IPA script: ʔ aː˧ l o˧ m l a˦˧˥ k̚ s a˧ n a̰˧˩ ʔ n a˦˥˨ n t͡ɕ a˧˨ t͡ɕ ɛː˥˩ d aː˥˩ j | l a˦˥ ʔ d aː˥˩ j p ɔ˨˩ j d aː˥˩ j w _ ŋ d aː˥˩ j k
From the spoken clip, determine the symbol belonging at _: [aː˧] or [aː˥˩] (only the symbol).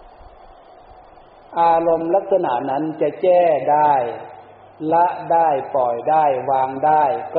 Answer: aː˧